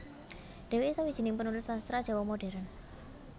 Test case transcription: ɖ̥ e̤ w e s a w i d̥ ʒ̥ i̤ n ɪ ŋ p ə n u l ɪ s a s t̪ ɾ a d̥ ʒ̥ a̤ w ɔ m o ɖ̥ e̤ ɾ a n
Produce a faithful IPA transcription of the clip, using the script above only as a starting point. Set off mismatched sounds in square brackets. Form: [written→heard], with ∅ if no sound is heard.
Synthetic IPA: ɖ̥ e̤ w e s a w i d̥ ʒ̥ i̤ n ɪ ŋ p ə n u l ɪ s a s t̪ ɾ a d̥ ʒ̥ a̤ w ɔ m o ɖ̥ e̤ ɾ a n